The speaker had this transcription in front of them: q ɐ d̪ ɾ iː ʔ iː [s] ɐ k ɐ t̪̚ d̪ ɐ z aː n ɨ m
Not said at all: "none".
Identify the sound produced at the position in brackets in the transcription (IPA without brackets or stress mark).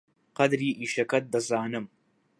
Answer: ʃ